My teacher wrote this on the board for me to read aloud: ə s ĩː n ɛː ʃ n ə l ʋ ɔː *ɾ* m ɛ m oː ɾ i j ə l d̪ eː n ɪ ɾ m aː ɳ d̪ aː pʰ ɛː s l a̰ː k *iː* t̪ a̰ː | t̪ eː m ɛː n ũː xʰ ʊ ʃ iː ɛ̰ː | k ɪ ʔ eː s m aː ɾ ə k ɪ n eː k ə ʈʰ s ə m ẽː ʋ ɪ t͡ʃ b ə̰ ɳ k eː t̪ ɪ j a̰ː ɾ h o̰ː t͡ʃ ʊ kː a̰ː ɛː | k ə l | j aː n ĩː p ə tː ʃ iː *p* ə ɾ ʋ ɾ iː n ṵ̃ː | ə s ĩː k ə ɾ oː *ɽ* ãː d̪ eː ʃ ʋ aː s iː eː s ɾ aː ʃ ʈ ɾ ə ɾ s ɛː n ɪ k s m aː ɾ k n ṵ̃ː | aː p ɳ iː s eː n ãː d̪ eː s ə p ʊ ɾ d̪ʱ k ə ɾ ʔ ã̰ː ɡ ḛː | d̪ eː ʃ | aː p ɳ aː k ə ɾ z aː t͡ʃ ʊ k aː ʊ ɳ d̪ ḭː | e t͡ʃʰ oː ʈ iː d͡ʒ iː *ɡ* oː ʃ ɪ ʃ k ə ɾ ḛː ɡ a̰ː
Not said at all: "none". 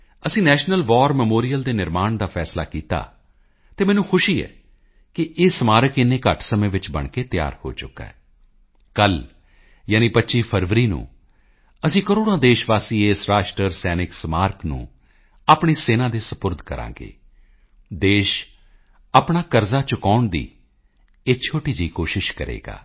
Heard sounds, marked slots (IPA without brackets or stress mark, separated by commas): ɾ, iː, pʰ, ɽ, k